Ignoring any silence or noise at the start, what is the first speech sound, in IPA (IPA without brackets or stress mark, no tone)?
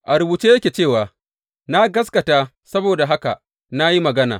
ʔ